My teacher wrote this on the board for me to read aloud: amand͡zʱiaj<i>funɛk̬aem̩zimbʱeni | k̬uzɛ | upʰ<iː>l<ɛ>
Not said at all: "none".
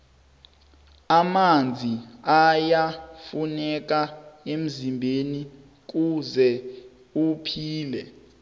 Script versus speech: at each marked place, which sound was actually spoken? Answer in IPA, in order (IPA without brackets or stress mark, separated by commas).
a, iː, ɛ